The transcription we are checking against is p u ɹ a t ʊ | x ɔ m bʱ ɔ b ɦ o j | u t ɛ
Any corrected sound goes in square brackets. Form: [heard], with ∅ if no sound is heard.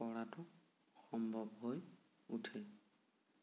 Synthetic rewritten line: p [ɔ] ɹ a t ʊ | x ɔ m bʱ ɔ b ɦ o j | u [tʰ] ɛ